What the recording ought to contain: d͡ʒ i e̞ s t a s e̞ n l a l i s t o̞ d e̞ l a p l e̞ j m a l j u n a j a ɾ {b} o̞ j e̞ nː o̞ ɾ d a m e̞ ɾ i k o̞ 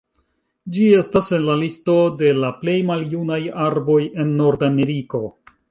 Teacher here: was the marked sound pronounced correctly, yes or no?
yes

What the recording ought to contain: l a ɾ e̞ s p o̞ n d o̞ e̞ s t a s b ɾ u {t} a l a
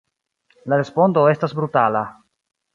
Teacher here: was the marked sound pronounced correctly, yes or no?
yes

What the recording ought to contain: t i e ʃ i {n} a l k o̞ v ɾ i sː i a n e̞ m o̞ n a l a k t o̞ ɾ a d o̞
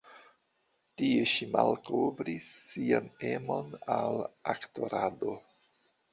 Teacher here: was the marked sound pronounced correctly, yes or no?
no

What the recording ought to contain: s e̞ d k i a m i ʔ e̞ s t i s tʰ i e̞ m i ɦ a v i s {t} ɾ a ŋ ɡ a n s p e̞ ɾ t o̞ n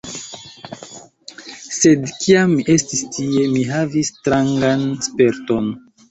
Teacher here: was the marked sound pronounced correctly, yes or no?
yes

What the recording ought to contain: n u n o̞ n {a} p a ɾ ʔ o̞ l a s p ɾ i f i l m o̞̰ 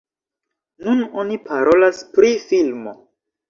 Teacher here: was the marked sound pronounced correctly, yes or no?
no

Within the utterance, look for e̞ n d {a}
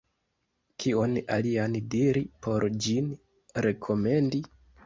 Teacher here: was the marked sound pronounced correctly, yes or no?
no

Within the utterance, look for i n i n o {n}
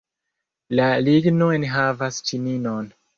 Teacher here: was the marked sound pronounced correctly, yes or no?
yes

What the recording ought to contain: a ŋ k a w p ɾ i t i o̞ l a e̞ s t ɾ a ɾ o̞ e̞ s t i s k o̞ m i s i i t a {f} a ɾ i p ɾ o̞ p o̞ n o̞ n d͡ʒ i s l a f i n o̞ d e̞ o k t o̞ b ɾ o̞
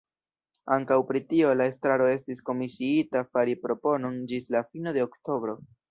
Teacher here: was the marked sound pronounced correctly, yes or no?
yes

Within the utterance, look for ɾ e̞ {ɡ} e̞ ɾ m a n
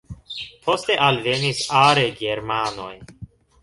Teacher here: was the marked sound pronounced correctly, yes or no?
yes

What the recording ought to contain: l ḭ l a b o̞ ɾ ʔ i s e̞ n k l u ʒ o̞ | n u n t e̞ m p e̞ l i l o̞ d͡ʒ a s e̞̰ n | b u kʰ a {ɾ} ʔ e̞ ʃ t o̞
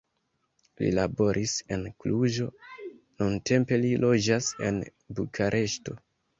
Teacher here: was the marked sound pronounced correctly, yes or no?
yes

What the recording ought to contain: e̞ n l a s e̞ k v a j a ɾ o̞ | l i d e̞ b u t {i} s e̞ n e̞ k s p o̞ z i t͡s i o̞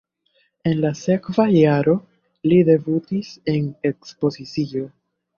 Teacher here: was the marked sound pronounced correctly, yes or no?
yes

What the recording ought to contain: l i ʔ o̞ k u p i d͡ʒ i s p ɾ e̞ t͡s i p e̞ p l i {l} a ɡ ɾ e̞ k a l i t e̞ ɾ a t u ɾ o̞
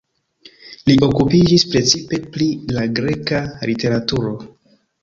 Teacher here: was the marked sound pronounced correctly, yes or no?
yes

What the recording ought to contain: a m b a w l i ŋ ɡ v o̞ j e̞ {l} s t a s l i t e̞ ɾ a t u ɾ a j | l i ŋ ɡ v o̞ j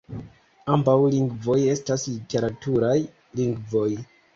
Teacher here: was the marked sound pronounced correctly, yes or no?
no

